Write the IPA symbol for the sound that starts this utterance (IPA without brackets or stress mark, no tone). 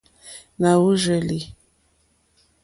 n